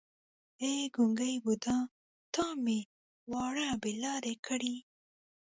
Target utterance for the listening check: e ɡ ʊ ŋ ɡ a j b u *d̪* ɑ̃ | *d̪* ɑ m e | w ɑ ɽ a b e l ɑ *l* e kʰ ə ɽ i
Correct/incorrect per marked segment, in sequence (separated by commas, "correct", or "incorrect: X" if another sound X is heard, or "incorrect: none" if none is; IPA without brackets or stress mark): correct, incorrect: t̪, incorrect: ɾ